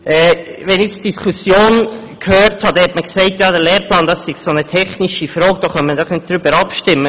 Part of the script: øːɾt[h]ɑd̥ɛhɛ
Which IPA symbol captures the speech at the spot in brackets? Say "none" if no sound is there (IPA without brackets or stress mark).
h